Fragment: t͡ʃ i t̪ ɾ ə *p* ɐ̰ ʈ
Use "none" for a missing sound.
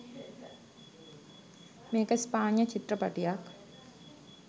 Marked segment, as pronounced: p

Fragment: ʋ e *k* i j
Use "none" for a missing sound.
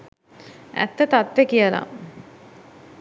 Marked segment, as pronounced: k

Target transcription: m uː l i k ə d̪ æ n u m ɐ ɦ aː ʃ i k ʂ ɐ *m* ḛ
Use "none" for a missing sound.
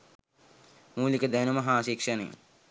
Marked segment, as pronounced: n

